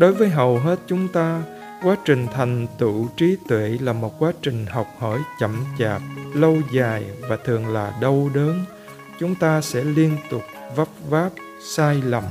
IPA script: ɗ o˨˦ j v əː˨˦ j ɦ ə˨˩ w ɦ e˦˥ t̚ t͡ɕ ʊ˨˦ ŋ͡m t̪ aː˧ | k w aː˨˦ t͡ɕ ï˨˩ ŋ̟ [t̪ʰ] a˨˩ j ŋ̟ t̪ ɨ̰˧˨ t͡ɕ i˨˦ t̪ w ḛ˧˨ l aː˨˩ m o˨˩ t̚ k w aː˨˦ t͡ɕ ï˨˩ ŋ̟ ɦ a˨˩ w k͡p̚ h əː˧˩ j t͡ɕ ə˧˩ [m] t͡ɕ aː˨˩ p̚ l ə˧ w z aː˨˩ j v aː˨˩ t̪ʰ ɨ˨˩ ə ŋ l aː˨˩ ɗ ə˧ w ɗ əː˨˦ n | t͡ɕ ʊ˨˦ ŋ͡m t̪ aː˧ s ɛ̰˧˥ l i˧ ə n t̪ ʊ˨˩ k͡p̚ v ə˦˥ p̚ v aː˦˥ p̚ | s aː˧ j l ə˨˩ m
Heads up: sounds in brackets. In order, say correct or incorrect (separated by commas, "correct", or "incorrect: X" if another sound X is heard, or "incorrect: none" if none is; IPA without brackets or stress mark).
correct, correct